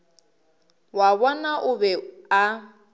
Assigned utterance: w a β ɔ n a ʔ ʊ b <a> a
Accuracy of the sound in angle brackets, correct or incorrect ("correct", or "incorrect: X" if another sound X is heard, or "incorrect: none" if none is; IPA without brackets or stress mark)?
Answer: incorrect: ɛ